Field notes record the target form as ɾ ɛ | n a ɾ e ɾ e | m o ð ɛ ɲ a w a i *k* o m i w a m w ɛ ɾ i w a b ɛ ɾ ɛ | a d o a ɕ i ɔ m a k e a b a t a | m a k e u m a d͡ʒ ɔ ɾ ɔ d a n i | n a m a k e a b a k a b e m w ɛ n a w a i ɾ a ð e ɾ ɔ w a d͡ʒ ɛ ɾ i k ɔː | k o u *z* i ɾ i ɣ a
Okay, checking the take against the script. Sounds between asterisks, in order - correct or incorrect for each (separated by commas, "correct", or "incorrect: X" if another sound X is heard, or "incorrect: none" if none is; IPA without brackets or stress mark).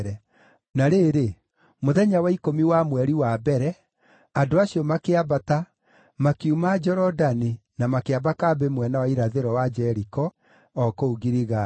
correct, incorrect: ɣ